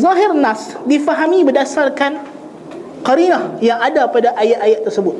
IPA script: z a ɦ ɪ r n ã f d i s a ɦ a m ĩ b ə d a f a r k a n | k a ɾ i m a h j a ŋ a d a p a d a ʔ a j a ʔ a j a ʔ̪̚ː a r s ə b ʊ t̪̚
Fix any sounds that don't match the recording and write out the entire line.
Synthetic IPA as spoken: z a ɦ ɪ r n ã s d i f a ɦ a m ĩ b ə d a s a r k a n | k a ɾ i n a h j a ŋ a d a p a d a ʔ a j a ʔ a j a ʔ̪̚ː ə r s ə b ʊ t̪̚